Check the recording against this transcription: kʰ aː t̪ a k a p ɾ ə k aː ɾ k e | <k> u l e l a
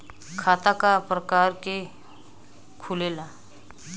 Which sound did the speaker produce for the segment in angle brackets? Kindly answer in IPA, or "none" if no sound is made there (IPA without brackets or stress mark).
kʰ